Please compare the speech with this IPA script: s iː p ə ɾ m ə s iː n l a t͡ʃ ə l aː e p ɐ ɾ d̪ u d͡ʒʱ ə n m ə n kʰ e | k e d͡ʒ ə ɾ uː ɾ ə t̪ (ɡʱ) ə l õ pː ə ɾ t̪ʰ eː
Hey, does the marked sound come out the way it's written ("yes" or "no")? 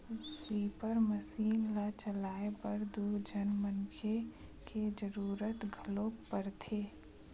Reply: yes